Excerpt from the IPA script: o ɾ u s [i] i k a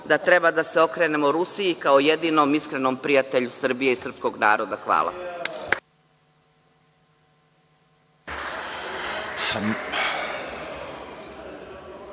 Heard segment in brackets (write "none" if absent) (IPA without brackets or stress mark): i